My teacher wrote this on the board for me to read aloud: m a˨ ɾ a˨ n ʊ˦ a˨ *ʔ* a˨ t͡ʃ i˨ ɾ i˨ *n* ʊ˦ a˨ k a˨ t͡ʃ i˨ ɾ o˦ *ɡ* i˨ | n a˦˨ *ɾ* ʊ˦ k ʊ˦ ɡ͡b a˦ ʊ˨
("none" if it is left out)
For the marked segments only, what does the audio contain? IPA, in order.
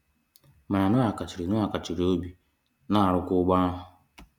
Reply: k, n, b, ɾ

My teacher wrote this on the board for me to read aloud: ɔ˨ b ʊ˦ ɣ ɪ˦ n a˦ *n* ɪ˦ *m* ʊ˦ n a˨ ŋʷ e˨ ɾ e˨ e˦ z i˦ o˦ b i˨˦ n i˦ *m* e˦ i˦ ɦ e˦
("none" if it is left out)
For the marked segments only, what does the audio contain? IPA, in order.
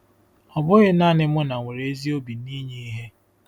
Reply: n, m, ɲ

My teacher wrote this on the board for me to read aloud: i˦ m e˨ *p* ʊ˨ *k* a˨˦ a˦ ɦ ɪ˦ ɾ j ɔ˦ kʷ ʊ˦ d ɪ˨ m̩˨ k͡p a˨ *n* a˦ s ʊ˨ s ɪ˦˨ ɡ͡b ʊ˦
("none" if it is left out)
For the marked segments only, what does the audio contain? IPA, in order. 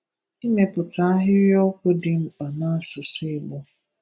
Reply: p, t, n

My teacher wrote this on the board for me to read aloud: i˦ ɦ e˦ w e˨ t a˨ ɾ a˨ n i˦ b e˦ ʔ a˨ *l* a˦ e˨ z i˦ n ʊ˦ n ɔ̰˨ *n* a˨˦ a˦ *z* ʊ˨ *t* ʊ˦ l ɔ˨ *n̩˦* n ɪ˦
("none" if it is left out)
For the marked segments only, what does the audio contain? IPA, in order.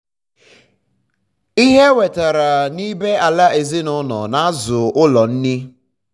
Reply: l, n, z, none, n̩˦

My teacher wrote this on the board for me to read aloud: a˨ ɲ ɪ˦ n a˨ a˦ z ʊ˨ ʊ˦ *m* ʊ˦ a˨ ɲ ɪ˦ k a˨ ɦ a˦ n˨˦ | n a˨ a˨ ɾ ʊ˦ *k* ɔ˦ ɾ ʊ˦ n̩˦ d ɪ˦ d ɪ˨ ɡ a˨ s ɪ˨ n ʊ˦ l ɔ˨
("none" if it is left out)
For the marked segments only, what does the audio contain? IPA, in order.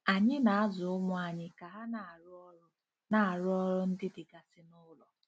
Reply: m, none

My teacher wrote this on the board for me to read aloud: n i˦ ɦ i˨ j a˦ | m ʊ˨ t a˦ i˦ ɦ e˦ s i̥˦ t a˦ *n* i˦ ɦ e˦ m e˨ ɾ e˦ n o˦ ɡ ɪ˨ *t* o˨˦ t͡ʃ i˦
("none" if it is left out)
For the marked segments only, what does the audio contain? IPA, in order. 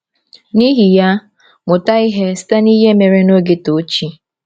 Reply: n, t

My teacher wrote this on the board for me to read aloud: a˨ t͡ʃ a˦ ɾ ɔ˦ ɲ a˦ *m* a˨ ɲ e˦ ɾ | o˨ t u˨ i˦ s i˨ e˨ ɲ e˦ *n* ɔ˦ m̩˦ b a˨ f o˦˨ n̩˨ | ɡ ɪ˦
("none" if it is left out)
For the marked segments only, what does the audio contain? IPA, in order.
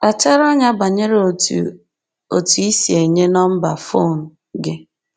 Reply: b, n

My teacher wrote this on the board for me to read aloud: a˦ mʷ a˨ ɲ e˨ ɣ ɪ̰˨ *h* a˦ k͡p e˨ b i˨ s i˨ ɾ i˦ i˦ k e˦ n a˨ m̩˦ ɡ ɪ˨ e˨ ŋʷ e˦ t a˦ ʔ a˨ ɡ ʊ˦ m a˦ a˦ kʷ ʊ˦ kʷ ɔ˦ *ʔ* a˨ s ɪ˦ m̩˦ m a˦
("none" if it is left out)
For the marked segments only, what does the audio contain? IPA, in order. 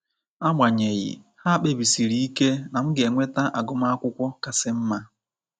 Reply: h, k

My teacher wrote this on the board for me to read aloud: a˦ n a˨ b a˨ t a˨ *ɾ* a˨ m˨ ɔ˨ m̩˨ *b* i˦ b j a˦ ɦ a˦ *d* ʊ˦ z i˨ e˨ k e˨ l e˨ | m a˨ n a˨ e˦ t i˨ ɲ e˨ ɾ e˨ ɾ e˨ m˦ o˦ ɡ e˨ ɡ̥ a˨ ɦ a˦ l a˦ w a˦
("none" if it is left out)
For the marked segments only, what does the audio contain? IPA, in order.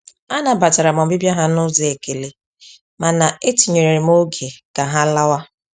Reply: ɾ, b, n

